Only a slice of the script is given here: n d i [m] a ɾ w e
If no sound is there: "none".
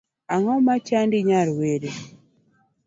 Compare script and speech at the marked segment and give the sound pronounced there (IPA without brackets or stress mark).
ɲ